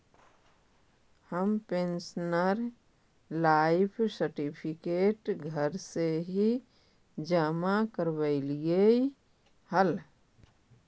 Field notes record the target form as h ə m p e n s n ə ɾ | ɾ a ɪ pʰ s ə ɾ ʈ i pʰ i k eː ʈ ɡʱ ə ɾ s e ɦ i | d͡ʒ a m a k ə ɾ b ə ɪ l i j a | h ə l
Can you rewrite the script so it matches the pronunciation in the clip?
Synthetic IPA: h ə m p e n s n ə ɾ | l a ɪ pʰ s ə ɾ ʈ i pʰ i k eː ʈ ɡʱ ə ɾ s e ɦ i | d͡ʒ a m a k ə ɾ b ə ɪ l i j e | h ə l